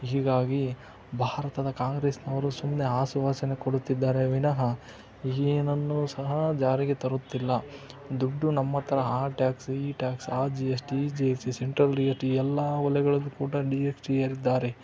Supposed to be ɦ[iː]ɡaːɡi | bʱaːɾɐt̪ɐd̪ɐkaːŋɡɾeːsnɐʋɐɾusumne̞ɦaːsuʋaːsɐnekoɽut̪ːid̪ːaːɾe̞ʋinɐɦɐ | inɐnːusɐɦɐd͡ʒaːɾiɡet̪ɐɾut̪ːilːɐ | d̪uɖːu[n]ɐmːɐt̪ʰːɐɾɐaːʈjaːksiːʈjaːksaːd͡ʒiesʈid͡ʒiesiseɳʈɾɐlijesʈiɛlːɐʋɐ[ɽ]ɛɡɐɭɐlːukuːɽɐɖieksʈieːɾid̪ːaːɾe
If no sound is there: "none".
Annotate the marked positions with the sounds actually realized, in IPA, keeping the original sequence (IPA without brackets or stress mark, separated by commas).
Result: iː, n, l